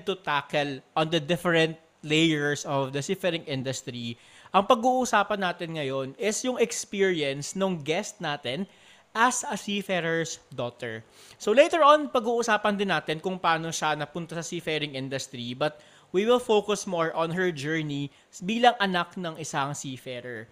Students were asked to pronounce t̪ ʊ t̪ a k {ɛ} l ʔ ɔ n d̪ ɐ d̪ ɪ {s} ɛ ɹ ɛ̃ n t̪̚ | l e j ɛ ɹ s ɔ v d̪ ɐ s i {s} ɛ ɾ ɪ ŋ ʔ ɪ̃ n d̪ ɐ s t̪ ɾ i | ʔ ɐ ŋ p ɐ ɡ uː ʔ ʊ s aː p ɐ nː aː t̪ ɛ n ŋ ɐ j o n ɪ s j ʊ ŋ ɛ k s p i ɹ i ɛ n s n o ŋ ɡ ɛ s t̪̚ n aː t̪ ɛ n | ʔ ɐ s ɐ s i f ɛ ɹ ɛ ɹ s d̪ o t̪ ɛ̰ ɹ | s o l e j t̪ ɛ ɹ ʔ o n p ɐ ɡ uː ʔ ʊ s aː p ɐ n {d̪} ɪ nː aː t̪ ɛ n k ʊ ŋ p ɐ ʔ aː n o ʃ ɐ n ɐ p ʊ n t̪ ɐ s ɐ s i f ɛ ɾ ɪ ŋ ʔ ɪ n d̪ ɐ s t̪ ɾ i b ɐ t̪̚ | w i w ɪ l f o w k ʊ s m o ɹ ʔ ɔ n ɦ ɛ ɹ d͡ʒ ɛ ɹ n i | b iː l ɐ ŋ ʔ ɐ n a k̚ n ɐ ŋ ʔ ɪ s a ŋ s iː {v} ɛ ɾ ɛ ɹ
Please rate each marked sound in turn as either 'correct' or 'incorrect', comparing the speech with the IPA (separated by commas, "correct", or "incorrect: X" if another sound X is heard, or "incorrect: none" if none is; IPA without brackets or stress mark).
correct, incorrect: f, incorrect: f, correct, incorrect: f